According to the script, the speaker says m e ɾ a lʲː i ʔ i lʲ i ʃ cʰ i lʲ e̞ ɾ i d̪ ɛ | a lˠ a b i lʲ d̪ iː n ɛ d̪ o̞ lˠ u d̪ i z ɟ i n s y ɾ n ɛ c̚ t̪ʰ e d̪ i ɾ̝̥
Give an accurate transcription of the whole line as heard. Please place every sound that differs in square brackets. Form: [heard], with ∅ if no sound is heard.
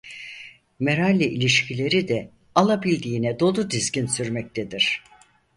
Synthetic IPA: m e ɾ a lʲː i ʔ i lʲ i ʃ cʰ i lʲ e̞ ɾ i d̪ ɛ | a lˠ a b i lʲ d̪ iː n ɛ d̪ o̞ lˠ u d̪ i z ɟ i n s y ɾ [m] ɛ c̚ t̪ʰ e d̪ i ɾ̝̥